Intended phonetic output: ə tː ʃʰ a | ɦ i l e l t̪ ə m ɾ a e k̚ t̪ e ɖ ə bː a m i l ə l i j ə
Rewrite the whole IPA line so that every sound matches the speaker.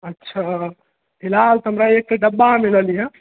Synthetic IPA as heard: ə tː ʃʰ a | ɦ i l a l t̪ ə m ɾ a e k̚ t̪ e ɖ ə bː a m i l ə l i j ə